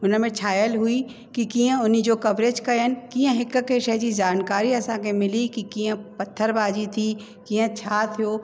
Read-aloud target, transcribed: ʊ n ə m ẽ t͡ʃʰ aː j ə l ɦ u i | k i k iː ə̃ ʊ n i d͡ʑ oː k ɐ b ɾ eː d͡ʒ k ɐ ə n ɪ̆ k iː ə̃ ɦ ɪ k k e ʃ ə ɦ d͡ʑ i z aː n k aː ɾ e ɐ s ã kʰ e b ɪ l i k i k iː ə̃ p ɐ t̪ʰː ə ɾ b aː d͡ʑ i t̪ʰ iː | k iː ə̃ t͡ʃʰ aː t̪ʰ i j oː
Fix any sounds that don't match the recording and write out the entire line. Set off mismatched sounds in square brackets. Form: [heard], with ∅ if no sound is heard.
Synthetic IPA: ʊ n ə m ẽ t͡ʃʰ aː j ə l ɦ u i | k i k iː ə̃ ʊ n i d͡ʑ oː k ɐ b ɾ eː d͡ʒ k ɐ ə n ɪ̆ k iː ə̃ ɦ ɪ k k e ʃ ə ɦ d͡ʑ i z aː n k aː ɾ [i] ɐ s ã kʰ e [m] ɪ l i k i k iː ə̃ p ɐ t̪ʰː ə ɾ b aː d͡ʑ i t̪ʰ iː | k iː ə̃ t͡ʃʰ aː t̪ʰ i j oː